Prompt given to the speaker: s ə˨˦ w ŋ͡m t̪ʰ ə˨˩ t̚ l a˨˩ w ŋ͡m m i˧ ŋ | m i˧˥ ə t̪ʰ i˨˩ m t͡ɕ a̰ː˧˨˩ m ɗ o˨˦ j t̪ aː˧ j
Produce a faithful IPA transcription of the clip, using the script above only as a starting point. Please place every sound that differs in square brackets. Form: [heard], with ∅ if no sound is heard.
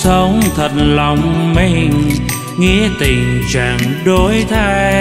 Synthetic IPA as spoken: s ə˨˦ w ŋ͡m t̪ʰ ə˨˩ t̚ l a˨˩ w ŋ͡m m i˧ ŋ | [ŋ] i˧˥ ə [t̪] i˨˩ [ŋ] t͡ɕ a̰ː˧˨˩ [ŋ] ɗ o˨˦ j [t̪ʰ] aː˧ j